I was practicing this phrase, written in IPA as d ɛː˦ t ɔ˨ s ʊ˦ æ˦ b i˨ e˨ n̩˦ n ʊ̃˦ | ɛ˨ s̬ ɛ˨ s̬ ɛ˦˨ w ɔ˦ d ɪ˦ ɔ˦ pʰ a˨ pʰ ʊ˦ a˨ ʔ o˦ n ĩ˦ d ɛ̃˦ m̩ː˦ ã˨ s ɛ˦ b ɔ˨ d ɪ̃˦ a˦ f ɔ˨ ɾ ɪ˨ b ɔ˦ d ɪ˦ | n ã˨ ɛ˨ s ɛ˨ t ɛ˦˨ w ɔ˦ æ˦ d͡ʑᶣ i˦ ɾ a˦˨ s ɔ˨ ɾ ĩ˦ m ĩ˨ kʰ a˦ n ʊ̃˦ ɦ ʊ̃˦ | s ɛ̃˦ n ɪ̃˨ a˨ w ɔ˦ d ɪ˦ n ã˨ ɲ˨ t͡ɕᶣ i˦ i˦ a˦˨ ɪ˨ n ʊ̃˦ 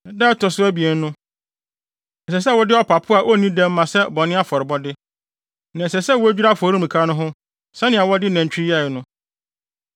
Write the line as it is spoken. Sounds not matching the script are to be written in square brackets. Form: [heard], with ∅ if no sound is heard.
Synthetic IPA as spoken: d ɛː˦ t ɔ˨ s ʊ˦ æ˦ b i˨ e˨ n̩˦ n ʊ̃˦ | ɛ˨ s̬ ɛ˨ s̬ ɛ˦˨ w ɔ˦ d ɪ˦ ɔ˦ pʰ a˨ pʰ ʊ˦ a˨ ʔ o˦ n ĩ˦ d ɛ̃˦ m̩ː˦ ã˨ s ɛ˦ b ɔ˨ [n] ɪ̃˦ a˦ f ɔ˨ ɾ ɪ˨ b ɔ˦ d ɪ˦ | n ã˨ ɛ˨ s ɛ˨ [s] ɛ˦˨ w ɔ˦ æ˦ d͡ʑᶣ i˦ ɾ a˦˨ [f] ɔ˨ ɾ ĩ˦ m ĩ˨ kʰ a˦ n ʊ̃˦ ɦ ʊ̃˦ | s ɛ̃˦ n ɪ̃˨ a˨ w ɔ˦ d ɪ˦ n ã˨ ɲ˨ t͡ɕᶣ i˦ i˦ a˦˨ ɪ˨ n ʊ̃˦